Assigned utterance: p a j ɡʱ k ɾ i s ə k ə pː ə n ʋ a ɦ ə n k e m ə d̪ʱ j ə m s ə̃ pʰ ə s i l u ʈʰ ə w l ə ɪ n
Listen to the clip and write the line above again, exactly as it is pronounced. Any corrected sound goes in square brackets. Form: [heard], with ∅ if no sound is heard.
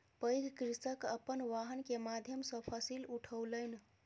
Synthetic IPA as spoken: p [ə] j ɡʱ k ɾ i s ə k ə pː ə n ʋ a ɦ ə n k e m [a] d̪ʱ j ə m s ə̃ pʰ ə s i l u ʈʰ ə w l ə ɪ n